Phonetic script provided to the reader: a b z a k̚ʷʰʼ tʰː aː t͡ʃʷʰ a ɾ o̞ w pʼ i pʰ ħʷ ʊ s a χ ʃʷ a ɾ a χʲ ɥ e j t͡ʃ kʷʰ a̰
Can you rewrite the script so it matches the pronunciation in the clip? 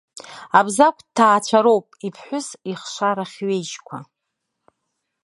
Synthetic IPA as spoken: a b z a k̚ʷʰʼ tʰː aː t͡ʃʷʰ a ɾ o̞ w pʼ i pʰ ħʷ ʊ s i χ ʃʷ a ɾ a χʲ ɥ e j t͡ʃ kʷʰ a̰